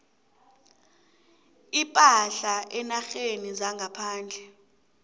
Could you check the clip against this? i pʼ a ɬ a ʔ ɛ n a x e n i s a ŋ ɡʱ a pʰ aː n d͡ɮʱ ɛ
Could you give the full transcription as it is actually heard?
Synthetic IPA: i pʼ a ɬ a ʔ ɛ n a x e n i z a ŋ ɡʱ a pʰ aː n d͡ɮʱ ɛ